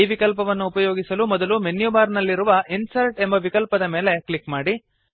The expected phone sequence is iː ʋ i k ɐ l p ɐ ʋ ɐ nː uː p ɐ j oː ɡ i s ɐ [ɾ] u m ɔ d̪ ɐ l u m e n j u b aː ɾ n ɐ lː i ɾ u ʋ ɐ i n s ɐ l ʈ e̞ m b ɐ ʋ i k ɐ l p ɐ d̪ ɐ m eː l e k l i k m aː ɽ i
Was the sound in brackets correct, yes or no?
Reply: no